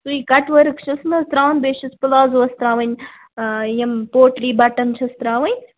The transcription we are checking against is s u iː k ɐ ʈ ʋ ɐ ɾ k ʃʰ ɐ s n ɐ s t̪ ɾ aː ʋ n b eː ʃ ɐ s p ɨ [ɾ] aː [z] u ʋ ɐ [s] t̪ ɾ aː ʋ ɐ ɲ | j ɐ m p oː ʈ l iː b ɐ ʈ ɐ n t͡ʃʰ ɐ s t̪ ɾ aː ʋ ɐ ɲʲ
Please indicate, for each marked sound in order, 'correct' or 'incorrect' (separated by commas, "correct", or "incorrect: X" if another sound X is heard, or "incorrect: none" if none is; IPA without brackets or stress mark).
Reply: incorrect: l, correct, correct